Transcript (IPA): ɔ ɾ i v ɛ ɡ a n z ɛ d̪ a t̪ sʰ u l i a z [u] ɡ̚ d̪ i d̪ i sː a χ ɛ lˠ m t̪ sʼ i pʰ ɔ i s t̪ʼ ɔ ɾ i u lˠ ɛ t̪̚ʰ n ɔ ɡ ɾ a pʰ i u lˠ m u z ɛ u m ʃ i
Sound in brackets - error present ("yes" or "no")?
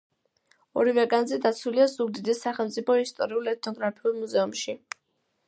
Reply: no